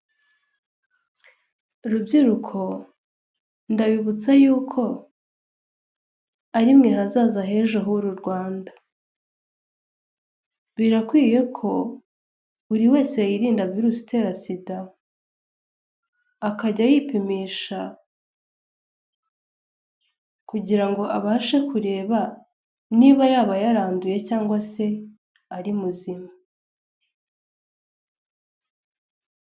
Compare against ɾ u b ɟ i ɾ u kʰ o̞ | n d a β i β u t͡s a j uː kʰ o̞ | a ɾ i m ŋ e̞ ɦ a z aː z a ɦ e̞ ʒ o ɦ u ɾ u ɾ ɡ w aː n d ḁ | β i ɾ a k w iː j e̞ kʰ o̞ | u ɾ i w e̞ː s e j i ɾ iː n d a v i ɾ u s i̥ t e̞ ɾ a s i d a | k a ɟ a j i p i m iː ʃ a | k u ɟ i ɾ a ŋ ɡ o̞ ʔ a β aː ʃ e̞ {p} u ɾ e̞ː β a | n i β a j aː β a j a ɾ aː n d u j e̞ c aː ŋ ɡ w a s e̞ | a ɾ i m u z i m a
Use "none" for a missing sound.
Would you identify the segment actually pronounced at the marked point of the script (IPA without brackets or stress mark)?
k